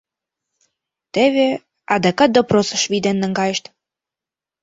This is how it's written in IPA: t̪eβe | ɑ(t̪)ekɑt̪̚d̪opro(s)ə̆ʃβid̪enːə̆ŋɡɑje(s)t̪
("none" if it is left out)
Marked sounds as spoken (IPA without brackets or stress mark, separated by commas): d̪, s, ʃ